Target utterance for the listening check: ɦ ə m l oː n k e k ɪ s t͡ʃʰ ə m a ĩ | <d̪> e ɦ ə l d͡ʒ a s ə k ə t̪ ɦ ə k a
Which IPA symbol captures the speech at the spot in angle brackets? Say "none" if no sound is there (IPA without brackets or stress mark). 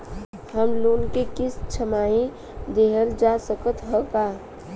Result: d̪